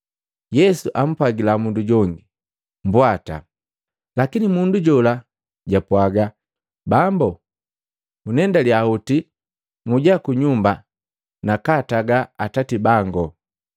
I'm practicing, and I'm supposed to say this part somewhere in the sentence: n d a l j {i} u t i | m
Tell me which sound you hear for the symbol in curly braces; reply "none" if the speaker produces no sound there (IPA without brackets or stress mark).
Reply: a